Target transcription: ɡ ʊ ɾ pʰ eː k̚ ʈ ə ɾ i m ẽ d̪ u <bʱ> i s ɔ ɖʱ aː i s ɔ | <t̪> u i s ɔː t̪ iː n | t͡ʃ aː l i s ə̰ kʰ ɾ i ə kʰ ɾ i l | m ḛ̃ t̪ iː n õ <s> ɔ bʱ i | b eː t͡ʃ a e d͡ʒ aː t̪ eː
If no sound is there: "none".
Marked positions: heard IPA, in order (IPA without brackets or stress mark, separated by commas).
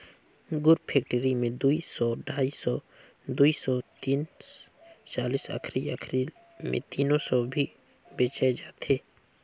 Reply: none, d̪, s